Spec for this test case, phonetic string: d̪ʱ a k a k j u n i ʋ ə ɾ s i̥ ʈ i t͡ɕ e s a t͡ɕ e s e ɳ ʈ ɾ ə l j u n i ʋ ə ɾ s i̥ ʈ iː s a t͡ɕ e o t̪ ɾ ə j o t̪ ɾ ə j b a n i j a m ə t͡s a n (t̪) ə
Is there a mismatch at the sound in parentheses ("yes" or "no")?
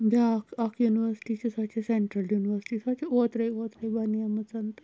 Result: no